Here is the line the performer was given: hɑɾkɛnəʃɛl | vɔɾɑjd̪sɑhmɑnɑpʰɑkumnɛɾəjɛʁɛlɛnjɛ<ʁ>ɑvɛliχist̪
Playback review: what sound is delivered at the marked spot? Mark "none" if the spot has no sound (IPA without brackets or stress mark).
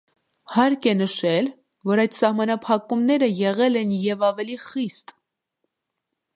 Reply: v